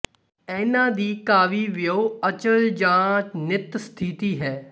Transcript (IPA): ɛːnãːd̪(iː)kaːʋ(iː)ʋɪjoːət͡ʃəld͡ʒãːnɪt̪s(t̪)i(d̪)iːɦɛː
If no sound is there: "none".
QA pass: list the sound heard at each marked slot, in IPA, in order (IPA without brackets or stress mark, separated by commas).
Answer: iː, iː, t̪ʰ, t̪